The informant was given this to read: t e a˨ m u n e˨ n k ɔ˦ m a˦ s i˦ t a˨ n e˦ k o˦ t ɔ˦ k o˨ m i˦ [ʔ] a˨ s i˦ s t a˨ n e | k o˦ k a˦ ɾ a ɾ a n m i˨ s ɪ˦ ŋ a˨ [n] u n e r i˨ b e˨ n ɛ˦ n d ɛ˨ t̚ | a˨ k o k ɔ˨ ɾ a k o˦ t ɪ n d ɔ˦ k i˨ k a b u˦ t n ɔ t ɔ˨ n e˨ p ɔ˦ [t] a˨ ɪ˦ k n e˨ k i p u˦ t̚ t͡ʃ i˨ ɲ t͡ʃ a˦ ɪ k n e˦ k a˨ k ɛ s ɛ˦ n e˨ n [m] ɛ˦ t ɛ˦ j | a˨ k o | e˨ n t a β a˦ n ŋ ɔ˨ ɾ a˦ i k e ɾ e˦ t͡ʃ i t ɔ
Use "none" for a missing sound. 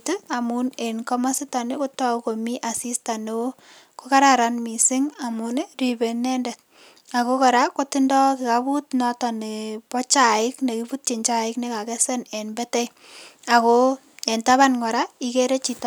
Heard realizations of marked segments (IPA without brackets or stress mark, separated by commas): ʔ, m, t͡ʃ, b